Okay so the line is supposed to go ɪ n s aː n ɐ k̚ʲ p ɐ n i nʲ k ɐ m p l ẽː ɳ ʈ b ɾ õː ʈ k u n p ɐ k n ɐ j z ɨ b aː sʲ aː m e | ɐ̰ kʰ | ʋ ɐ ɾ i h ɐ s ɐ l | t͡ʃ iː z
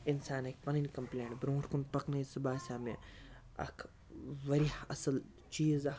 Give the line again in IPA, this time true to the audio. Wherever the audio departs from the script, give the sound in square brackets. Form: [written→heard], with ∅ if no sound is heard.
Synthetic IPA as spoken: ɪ n s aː n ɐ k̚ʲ p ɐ n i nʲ k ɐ m p l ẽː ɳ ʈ b ɾ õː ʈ k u n p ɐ k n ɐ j [z→s] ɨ b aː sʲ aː m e | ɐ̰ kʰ | ʋ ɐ ɾ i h ɐ s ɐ l | t͡ʃ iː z